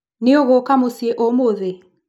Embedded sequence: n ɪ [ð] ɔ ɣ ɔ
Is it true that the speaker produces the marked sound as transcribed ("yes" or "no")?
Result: no